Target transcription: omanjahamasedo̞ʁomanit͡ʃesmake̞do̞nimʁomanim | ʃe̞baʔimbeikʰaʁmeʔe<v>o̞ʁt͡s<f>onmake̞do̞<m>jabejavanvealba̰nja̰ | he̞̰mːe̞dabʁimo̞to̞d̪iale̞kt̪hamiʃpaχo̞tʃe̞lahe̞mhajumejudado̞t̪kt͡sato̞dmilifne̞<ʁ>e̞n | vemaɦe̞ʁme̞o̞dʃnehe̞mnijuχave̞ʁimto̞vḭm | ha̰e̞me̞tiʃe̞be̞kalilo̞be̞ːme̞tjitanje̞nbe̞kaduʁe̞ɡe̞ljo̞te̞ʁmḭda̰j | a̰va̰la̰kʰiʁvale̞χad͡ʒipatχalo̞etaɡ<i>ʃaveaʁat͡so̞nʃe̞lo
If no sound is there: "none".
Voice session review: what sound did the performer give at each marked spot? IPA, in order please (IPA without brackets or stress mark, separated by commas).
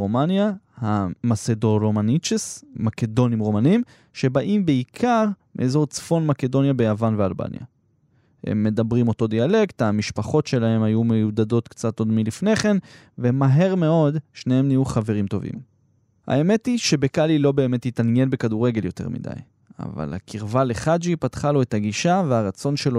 z, f, n, χ, i